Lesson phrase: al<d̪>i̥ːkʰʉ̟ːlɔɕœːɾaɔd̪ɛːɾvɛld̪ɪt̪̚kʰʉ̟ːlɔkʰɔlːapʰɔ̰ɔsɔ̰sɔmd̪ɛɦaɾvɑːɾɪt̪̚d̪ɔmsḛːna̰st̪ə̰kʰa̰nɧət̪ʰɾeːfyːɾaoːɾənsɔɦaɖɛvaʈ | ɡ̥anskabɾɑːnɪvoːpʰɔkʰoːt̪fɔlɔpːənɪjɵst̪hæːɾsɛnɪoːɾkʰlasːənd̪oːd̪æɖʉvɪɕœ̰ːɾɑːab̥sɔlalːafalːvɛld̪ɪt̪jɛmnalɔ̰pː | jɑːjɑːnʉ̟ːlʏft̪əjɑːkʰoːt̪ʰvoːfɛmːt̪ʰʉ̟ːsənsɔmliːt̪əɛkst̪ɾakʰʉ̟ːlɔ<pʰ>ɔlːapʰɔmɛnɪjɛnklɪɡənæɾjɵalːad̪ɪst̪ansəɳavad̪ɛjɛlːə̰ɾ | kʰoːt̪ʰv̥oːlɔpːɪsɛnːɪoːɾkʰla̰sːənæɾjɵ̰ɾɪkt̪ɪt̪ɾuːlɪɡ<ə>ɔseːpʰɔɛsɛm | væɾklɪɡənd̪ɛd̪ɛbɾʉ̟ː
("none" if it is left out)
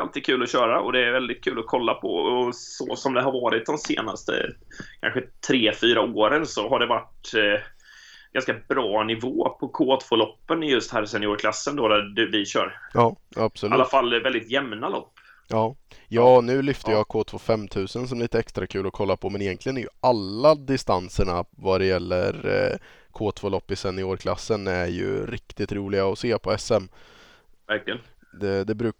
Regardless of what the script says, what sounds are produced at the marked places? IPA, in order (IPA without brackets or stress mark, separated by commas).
t̪, kʰ, a